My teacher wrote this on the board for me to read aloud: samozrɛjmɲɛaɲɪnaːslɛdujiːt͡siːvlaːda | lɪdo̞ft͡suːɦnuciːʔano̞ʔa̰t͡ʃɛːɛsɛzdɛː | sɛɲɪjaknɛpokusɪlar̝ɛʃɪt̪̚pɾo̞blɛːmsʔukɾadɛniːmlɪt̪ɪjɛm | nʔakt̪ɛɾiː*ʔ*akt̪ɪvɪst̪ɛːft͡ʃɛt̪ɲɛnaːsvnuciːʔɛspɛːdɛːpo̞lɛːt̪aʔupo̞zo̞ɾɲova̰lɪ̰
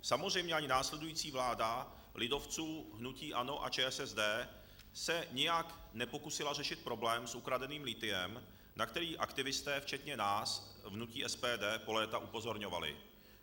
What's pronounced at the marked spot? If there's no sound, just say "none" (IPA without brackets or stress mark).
ʔ